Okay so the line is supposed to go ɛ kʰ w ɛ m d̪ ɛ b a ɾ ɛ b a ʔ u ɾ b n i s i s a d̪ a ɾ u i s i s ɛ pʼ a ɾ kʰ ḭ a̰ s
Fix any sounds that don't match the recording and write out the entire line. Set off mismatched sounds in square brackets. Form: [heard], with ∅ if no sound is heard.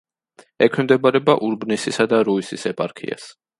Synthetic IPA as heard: ɛ kʰ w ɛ m d̪ ɛ b a ɾ ɛ b a ʔ u ɾ b n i s i s a d̪ a ɾ u i s i s ɛ pʼ a ɾ kʰ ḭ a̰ s